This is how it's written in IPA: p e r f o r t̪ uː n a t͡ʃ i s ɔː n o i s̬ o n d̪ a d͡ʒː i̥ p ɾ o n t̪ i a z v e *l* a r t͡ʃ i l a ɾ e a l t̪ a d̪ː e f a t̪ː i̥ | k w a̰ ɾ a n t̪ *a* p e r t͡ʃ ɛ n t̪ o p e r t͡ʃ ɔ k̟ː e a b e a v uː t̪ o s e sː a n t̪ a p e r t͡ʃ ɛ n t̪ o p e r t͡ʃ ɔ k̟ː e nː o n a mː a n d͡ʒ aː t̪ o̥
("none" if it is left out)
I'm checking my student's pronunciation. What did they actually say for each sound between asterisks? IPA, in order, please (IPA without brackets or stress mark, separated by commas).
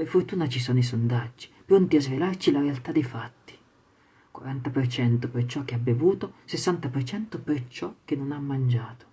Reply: l, a